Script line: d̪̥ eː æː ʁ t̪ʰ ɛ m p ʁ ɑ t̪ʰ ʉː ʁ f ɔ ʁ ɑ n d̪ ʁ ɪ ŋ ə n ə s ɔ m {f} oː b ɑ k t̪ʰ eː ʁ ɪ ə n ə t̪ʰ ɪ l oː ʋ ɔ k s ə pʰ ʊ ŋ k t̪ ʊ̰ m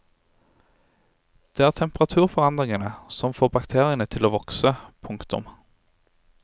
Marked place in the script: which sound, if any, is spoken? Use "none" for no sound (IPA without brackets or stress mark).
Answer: f